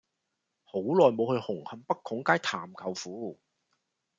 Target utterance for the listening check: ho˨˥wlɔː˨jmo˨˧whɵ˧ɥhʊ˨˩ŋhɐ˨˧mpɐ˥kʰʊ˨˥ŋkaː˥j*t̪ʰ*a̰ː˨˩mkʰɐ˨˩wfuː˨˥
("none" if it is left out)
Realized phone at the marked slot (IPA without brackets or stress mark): t̪ʰ